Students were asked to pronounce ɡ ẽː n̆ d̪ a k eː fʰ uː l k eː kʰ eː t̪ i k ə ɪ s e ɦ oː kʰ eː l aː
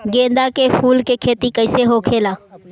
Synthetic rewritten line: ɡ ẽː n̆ d̪ a k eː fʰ uː l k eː kʰ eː t̪ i k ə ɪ s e ɦ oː kʰ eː l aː